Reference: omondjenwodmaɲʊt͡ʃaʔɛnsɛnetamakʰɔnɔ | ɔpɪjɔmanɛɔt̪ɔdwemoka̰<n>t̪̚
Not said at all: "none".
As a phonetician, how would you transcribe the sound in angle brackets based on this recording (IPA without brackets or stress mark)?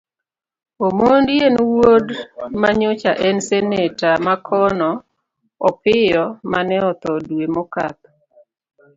none